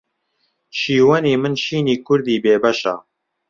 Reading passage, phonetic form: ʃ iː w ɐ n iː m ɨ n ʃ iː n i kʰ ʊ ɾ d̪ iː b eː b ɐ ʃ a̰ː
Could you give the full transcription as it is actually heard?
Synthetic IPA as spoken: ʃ iː w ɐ n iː m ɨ n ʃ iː n iː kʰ ʊ ɾ d̪ iː b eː b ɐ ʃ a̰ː